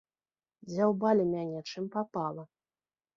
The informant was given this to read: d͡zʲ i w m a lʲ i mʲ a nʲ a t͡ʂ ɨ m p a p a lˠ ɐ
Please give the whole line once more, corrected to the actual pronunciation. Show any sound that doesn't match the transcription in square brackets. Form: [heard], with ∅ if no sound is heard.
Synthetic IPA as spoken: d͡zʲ [a] w [b] a lʲ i mʲ a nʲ [ɛ] t͡ʂ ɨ m p a p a lˠ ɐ